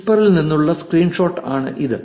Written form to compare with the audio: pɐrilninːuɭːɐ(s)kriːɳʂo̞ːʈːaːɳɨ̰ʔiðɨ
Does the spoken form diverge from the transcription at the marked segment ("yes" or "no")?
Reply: no